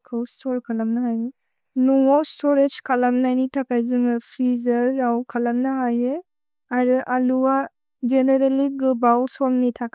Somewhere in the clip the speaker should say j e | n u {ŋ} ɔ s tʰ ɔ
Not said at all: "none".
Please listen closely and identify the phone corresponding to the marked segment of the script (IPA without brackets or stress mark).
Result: ŋ